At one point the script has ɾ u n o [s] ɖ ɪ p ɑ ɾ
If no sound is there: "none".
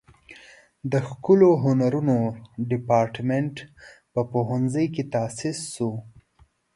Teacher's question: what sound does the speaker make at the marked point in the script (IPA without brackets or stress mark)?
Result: none